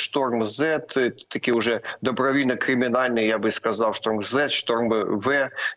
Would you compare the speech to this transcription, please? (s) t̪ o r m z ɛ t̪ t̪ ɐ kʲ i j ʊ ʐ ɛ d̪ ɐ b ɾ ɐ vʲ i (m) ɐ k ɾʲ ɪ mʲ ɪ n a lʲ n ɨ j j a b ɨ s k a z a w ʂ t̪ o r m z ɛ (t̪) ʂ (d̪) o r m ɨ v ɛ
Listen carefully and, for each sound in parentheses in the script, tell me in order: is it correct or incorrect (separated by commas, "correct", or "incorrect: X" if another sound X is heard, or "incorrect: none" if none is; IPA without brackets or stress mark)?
incorrect: ʂ, incorrect: n, correct, incorrect: t̪